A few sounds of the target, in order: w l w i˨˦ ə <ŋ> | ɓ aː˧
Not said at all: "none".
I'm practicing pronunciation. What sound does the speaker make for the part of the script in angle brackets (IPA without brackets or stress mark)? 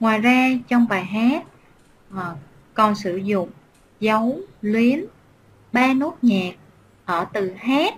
n